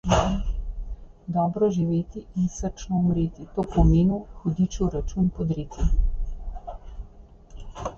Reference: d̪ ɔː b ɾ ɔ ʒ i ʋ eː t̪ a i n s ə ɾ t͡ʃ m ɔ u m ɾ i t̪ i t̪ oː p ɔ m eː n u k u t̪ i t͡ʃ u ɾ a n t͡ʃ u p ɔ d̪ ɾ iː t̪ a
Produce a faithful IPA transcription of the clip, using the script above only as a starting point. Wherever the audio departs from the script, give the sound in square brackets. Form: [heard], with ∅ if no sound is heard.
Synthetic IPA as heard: d̪ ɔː b ɾ ɔ ʒ i ʋ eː t̪ [i] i n s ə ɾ t͡ʃ [n] ɔ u m ɾ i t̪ i t̪ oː p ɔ m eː n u [x] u [d̪] i t͡ʃ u ɾ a [∅] t͡ʃ u p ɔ d̪ ɾ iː t̪ [i]